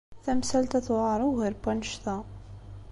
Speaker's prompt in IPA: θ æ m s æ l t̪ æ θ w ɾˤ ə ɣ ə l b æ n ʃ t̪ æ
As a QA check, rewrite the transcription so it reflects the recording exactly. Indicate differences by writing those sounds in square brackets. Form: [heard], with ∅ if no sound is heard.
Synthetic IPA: θ æ m s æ l t̪ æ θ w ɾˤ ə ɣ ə [ɾ] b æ n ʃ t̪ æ